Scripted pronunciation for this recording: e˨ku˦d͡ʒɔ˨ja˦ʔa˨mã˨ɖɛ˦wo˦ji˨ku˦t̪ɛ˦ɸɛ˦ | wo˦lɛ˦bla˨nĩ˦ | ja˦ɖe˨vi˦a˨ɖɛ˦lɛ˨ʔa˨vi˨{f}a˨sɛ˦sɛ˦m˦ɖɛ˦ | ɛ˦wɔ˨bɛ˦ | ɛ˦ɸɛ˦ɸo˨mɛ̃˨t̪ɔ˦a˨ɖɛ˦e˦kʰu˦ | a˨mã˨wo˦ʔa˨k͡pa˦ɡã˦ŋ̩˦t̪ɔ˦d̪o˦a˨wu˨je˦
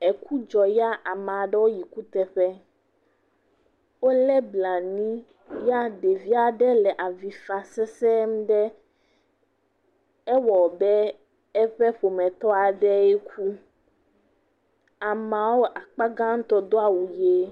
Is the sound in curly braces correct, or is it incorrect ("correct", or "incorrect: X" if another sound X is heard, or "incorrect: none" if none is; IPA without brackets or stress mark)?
correct